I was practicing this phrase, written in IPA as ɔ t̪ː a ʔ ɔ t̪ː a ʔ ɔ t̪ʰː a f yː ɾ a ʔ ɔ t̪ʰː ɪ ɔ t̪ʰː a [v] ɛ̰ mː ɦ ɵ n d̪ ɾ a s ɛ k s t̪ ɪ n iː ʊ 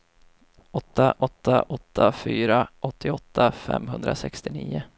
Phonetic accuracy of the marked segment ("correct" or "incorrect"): incorrect